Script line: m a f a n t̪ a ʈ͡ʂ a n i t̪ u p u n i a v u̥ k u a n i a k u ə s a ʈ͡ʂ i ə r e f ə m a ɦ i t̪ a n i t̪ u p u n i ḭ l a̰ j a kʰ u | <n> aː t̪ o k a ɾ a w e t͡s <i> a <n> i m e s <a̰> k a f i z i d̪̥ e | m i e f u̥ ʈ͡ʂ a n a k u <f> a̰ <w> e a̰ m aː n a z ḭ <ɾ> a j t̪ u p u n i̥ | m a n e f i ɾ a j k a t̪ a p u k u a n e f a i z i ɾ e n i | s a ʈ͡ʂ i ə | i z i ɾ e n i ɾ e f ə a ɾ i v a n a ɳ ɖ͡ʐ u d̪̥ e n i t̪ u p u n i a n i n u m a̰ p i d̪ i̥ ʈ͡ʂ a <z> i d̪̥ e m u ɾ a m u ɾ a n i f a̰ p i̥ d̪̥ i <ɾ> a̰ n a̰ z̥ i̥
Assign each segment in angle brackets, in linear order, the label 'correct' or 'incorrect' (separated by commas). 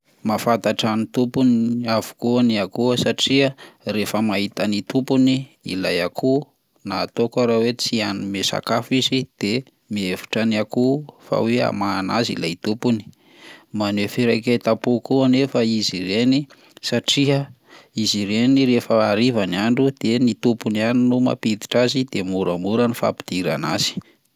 correct, correct, correct, correct, correct, correct, incorrect, correct, correct